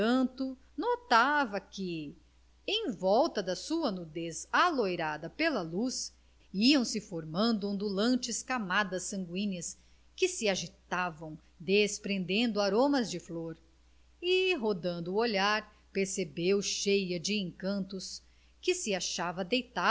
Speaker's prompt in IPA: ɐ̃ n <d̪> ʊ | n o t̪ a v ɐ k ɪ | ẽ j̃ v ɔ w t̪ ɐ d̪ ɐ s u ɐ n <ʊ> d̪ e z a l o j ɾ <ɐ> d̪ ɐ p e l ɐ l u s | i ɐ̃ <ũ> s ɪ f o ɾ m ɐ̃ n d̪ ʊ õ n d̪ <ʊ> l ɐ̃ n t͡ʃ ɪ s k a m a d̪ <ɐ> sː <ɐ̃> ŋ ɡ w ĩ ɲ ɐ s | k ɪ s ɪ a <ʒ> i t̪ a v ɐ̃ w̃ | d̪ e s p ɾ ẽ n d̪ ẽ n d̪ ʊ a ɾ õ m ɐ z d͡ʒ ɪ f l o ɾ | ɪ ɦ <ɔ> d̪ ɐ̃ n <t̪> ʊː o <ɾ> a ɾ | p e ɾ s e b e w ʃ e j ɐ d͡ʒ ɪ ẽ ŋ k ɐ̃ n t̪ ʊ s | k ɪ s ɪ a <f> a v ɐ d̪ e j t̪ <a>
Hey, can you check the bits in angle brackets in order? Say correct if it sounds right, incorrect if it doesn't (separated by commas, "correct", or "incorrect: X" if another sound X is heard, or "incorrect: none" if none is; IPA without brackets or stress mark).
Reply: incorrect: t̪, incorrect: u, incorrect: a, incorrect: w̃, incorrect: u, correct, correct, correct, incorrect: o, incorrect: d̪, incorrect: ʎ, incorrect: ʃ, correct